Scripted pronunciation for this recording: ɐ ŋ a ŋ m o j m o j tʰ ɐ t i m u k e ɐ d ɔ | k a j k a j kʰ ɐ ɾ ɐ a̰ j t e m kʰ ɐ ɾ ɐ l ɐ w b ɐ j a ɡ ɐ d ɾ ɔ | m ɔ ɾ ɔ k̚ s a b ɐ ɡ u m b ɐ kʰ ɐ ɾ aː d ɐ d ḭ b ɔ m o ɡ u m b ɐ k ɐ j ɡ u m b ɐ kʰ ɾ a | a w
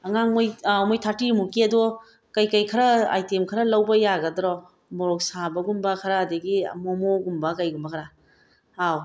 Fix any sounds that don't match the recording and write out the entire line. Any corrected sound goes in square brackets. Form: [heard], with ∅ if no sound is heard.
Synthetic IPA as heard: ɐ ŋ a ŋ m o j m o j tʰ [a] t i m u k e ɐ d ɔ | k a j k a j kʰ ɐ ɾ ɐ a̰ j t e m kʰ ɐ ɾ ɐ l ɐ w b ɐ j a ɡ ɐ d ɾ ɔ | m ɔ ɾ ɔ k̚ s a b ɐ ɡ u m b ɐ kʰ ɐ ɾ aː d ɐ [ɡ] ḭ [m] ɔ m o ɡ u m b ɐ k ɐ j ɡ u m b ɐ kʰ ɾ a | a w